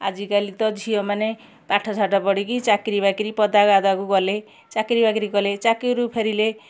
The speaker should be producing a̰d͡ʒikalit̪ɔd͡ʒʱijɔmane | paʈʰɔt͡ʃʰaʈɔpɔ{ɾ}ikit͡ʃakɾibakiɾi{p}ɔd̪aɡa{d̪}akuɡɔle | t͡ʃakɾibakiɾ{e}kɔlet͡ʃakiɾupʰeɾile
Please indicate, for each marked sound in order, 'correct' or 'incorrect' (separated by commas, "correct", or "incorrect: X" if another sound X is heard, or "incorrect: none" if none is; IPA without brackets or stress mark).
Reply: incorrect: ɽ, correct, correct, incorrect: i